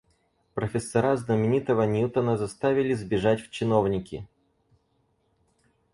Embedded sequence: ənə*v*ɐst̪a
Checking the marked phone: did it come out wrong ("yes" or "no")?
yes